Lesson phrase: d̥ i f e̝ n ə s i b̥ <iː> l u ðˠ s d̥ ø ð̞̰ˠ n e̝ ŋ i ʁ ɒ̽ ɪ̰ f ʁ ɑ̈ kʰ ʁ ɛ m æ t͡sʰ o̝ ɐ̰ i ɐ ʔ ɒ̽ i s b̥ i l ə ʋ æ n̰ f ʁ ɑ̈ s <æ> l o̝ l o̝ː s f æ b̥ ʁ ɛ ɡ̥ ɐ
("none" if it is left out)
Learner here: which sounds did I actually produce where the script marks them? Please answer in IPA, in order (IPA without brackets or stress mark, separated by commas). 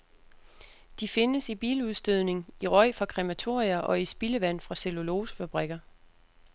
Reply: iː, e